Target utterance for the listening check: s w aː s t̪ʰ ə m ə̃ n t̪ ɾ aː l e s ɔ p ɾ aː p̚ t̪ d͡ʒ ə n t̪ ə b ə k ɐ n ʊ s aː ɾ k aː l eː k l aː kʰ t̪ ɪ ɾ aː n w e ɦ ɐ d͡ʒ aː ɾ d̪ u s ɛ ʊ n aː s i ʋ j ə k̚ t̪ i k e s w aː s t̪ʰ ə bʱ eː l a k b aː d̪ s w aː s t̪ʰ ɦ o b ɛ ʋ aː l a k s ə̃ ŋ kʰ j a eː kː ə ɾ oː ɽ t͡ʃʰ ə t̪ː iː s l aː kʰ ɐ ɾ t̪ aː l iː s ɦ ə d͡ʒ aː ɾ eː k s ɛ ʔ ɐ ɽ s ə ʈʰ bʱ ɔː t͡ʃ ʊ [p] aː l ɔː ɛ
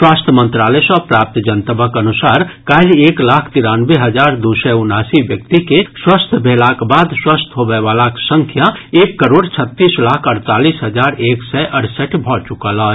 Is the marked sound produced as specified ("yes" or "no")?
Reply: no